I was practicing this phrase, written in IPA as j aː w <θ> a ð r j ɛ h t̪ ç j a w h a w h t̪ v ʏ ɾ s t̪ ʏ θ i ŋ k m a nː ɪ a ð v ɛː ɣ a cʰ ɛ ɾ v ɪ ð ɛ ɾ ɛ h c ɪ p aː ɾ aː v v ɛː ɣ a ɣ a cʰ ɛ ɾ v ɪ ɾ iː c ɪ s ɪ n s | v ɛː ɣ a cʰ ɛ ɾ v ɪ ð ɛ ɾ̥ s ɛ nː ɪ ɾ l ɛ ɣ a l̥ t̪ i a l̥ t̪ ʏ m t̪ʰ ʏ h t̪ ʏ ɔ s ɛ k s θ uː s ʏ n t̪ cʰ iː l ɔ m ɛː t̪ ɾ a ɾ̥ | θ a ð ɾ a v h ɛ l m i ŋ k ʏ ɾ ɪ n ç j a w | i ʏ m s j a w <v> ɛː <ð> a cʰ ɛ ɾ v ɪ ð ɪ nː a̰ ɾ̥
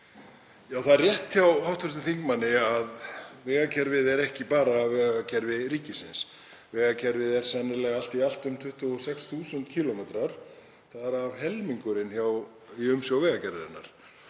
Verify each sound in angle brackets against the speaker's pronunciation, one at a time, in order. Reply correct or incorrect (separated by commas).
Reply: correct, correct, incorrect